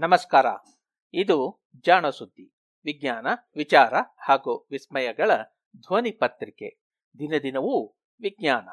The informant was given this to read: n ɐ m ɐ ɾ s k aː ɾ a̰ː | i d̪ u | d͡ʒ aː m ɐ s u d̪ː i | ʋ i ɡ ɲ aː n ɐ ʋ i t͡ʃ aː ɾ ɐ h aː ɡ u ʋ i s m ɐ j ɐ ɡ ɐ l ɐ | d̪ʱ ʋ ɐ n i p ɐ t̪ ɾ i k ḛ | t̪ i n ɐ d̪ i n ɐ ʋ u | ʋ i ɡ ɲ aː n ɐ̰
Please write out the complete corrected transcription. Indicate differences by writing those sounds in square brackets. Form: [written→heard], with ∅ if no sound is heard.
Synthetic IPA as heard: n ɐ m ɐ [ɾ→∅] s k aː ɾ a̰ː | i d̪ u | d͡ʒ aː [m→ɳ] ɐ s u d̪ː i | ʋ i ɡ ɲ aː n ɐ ʋ i t͡ʃ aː ɾ ɐ h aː ɡ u ʋ i s m ɐ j ɐ ɡ ɐ [l→ɭ] ɐ | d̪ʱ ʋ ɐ n i p ɐ t̪ ɾ i k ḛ | [t̪→d̪] i n ɐ d̪ i n ɐ ʋ u | ʋ i ɡ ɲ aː n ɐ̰